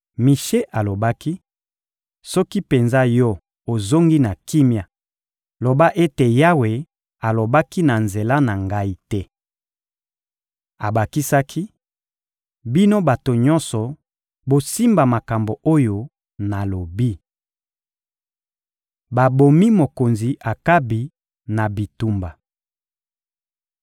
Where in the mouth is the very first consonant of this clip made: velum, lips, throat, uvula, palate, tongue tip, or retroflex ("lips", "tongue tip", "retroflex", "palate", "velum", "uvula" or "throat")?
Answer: lips